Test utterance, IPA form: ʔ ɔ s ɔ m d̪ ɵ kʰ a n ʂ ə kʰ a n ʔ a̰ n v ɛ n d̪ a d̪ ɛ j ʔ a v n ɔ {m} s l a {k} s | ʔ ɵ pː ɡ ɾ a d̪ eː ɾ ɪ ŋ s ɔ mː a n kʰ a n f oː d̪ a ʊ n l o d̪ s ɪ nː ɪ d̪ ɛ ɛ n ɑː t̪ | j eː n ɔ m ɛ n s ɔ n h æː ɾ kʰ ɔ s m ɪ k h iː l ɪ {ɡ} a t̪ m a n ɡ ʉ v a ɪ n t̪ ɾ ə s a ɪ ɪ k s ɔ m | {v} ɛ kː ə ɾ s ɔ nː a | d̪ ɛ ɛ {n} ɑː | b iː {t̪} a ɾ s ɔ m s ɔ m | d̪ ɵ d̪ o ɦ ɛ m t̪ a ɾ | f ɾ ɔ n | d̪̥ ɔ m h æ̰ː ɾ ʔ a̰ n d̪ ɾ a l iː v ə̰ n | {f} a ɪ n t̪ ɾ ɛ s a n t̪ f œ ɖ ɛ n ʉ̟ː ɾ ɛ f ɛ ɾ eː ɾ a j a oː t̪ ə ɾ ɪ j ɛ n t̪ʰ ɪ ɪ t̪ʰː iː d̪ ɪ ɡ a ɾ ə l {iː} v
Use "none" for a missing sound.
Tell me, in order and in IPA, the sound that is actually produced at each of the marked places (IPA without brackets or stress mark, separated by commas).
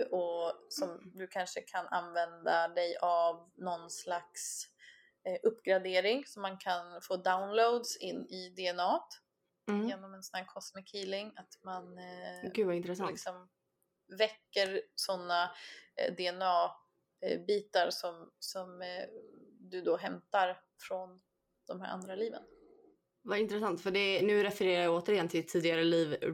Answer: n, k, ŋ, v, n, t̪, v, iː